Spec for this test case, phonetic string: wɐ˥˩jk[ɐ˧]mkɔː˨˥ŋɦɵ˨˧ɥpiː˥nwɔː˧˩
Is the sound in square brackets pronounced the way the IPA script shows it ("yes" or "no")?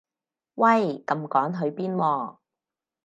yes